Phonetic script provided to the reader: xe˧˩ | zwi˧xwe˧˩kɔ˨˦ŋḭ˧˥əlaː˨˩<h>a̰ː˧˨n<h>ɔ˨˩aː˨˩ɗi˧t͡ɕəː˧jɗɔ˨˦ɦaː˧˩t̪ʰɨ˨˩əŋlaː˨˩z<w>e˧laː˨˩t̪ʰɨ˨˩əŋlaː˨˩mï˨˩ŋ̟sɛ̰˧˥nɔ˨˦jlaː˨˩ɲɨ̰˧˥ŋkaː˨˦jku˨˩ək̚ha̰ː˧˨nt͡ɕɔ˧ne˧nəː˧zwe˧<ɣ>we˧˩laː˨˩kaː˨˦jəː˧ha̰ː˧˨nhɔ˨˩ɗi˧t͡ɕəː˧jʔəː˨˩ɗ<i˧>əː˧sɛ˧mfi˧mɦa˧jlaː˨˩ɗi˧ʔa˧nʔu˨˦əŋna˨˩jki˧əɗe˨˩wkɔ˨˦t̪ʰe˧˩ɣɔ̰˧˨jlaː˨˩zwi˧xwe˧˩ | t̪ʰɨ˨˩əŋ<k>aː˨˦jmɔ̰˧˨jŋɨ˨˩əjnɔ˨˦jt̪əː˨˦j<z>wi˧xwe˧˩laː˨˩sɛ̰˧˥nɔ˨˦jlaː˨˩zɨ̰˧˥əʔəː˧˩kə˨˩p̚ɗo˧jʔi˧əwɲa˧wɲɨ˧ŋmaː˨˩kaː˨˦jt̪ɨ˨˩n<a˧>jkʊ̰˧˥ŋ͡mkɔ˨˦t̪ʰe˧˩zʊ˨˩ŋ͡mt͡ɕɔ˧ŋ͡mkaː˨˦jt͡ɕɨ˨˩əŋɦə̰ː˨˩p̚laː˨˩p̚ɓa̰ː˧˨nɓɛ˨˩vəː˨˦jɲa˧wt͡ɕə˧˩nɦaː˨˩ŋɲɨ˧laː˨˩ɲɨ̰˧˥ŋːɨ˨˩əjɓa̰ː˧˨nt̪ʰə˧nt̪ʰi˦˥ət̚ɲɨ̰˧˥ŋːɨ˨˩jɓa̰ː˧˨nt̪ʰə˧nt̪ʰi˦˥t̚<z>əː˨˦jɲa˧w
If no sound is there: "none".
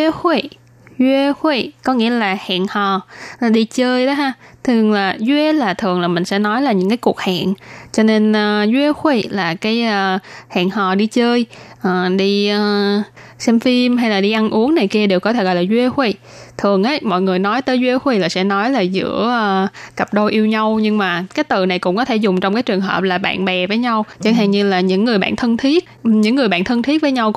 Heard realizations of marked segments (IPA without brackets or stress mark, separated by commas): h, h, w, x, i˧, ʔ, z, a˨˩, v